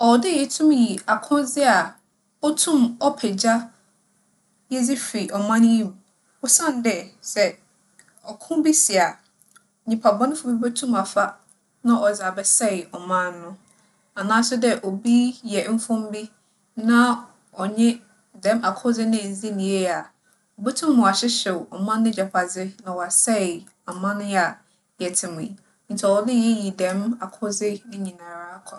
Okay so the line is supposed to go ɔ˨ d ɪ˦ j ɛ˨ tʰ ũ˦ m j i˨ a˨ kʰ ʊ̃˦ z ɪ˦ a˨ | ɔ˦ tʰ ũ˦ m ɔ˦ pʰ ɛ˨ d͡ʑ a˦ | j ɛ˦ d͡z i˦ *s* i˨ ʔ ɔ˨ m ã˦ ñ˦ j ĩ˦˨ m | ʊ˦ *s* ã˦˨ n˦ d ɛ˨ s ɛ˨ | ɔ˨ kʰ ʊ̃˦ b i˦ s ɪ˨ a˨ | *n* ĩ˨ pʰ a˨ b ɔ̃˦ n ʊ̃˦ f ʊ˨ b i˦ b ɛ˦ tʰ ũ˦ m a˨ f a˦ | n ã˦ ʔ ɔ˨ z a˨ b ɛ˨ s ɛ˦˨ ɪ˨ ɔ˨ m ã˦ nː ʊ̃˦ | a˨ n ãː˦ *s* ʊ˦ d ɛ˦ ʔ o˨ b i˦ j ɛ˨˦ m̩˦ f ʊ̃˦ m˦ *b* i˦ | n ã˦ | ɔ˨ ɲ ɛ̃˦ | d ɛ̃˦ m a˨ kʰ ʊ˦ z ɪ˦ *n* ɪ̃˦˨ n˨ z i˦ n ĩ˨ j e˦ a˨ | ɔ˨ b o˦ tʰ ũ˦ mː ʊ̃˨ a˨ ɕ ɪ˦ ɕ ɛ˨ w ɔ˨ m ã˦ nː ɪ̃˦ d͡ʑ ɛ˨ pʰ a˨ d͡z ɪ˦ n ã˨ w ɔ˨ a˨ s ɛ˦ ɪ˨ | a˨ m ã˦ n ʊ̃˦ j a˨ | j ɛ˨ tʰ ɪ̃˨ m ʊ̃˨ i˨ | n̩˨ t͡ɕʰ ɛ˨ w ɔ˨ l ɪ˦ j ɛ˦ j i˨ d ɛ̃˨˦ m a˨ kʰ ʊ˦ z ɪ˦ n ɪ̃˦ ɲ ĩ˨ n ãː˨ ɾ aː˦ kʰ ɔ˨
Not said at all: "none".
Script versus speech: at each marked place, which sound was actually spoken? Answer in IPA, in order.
f, s, ɲ, s, b, n

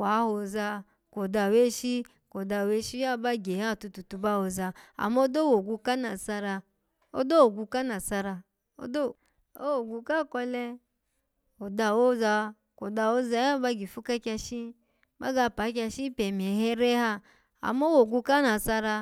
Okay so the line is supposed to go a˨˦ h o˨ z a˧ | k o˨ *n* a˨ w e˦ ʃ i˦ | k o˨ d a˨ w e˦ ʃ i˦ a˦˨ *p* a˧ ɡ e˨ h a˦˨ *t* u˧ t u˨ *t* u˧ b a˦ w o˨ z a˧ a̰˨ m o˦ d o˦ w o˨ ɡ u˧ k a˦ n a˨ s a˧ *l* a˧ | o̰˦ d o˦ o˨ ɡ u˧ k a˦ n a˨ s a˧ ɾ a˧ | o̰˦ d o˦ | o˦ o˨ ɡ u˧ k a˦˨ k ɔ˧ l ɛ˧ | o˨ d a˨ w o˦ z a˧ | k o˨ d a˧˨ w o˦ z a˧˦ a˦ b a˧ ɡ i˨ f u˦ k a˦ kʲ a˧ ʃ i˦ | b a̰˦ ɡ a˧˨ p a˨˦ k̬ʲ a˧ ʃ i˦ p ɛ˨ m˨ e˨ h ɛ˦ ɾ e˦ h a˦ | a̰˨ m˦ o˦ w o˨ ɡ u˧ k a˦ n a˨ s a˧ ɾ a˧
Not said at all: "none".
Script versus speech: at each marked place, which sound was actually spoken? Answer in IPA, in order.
d, b, t, t, ɾ

